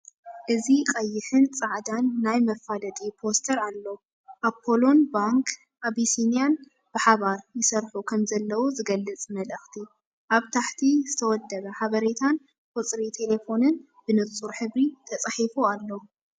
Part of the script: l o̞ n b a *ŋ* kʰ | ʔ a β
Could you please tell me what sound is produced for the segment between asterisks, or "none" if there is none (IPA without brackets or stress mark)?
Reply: ŋ